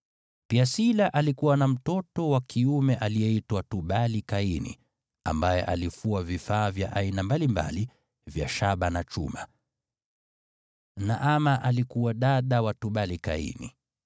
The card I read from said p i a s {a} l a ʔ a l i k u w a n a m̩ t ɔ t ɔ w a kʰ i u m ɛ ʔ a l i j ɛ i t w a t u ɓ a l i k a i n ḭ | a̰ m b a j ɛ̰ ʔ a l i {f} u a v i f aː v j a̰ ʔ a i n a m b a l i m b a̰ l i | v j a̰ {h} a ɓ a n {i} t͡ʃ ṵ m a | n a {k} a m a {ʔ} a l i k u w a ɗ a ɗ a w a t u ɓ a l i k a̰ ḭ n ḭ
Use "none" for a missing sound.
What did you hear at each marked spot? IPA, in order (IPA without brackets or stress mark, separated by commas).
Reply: i, f, ʃ, a, ʔ, ʔ